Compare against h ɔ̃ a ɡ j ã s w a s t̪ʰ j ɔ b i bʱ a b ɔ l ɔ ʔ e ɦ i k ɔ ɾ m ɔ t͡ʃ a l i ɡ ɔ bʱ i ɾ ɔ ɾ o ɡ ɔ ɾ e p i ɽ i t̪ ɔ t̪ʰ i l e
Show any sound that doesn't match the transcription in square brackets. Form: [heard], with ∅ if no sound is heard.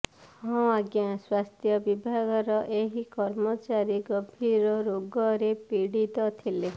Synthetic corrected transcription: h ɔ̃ a ɡ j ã s w a s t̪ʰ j ɔ b i bʱ a [ɡ] ɔ [ɾ] ɔ ʔ e ɦ i k ɔ ɾ m ɔ t͡ʃ a [ɾ] i ɡ ɔ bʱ i ɾ ɔ ɾ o ɡ ɔ ɾ e p i ɽ i t̪ ɔ t̪ʰ i l e